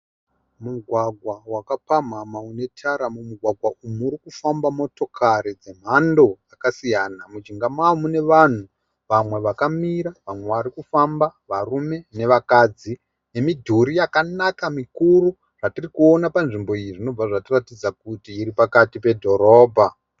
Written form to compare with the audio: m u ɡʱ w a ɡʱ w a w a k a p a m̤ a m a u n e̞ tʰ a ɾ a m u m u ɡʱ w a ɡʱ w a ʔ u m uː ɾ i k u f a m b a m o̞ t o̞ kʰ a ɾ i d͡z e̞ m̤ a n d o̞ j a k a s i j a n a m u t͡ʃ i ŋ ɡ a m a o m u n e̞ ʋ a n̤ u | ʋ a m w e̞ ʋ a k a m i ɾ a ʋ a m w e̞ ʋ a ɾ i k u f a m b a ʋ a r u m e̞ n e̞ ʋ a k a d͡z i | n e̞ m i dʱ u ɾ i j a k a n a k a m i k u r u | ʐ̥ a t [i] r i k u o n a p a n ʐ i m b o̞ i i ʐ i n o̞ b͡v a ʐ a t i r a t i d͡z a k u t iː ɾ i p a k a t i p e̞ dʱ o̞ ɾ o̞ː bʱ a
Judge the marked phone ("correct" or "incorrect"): correct